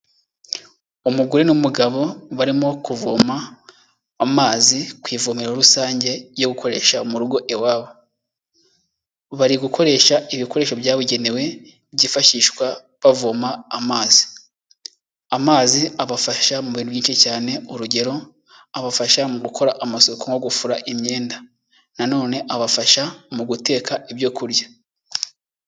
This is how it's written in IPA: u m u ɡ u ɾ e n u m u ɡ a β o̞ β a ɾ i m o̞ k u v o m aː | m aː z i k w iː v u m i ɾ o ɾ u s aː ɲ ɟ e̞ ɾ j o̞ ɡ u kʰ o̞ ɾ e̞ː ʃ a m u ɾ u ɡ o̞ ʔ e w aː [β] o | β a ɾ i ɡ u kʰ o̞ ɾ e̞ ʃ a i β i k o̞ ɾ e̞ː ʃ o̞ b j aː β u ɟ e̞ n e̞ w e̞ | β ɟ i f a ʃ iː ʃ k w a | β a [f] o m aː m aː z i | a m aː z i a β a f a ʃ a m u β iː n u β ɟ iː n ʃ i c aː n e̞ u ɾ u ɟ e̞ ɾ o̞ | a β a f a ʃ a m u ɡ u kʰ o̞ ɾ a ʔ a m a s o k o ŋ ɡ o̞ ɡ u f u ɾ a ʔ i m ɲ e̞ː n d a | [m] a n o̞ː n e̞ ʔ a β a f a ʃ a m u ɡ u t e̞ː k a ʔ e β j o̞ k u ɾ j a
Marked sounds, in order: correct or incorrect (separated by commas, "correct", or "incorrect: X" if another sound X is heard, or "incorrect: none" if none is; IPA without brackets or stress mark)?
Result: correct, incorrect: v, incorrect: n